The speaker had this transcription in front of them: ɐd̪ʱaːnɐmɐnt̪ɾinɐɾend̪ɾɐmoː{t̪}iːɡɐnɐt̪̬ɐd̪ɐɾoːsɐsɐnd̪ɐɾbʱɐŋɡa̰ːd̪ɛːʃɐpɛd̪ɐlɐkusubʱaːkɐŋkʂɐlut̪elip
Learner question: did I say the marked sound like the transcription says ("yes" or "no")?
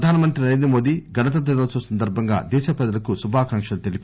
no